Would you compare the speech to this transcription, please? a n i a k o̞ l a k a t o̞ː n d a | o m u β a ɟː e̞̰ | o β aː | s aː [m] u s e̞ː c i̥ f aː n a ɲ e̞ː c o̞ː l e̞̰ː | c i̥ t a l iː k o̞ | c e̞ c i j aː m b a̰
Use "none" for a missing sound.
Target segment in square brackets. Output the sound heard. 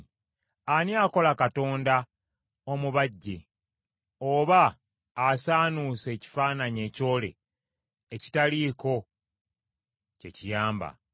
n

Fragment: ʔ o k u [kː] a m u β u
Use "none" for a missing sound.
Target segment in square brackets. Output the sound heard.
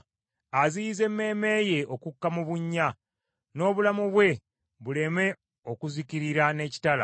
kː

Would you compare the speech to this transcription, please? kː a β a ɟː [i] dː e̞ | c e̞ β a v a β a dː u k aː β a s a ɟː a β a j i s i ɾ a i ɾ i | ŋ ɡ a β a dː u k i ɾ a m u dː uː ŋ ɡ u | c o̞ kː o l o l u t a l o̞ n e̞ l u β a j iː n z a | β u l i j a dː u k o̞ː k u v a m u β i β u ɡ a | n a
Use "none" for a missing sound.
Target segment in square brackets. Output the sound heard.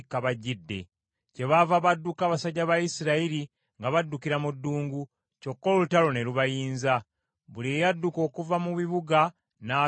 i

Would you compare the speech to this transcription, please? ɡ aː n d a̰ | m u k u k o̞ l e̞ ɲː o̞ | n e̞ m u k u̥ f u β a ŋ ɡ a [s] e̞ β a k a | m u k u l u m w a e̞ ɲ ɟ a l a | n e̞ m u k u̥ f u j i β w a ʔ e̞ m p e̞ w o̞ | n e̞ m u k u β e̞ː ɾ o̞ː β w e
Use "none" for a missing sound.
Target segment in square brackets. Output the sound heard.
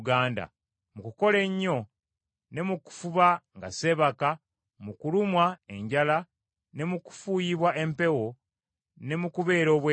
s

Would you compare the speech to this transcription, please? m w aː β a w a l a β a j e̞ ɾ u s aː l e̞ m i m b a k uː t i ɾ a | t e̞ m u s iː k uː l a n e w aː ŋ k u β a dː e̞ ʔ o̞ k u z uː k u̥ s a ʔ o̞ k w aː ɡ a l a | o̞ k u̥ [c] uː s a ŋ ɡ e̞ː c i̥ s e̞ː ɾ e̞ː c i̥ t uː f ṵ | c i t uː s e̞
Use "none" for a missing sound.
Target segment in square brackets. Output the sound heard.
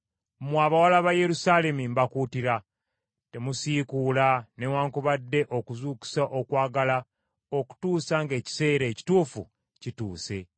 t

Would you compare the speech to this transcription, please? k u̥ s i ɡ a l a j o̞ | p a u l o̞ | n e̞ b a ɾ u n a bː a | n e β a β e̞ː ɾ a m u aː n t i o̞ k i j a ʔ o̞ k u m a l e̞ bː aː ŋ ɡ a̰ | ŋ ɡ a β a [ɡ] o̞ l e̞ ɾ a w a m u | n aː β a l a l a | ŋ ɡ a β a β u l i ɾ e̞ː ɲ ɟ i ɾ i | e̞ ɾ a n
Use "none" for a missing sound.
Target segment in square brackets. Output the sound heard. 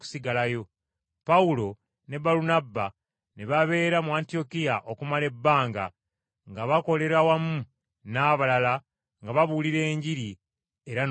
k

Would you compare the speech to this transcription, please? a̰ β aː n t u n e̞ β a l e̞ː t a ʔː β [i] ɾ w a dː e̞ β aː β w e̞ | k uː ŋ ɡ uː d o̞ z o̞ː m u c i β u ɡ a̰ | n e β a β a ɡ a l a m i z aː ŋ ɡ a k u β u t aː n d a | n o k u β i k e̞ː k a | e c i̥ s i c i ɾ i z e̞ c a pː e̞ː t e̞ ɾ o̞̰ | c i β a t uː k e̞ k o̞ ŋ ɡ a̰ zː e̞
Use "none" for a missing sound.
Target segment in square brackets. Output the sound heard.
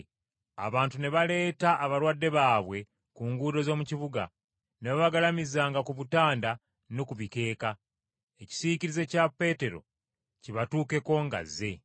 a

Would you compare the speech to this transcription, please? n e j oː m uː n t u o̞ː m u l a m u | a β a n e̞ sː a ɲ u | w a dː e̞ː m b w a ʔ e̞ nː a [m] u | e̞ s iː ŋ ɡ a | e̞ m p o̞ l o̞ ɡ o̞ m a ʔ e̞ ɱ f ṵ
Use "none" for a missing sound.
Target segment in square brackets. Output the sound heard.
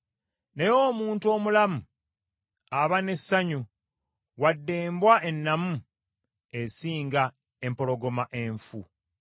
m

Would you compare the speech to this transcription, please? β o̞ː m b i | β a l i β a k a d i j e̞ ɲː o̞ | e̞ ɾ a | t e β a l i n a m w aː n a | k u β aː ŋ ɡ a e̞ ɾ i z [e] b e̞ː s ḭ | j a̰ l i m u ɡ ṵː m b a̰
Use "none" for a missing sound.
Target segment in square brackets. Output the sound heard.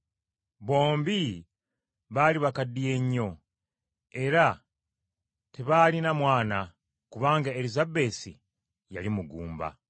a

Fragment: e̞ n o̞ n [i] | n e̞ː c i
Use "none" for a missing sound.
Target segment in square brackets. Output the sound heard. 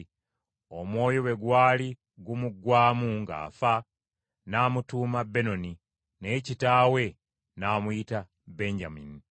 i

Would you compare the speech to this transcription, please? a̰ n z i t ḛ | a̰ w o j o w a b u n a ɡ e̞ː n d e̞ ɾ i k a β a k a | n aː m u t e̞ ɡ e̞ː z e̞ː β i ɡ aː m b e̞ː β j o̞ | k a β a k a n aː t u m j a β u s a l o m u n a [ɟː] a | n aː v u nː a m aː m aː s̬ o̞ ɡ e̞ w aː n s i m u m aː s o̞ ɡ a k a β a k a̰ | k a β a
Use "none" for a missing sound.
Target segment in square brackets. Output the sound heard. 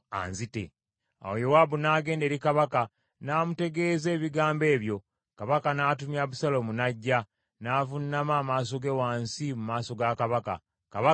ɟː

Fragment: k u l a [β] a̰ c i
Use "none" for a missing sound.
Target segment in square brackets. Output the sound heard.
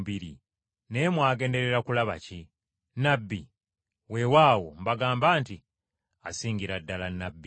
β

